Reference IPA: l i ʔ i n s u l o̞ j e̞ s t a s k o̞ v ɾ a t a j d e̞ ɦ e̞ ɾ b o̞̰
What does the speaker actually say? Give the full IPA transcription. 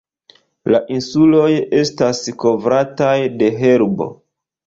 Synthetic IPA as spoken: l a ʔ i n s u l o̞ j e̞ s t a s k o̞ v ɾ a t a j d e̞ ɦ e̞ ɾ b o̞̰